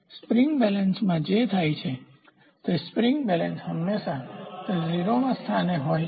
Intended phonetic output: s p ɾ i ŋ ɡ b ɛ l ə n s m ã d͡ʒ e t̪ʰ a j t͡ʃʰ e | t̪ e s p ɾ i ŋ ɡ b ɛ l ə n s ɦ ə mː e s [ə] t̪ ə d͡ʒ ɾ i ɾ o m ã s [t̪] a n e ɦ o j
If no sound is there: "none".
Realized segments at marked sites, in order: a, t̪ʰ

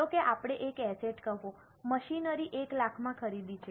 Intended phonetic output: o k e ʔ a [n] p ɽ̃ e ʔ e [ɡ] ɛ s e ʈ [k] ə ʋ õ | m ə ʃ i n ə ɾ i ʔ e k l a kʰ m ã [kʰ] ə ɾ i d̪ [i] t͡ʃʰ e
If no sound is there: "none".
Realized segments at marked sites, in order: none, k, k, kʰ, i

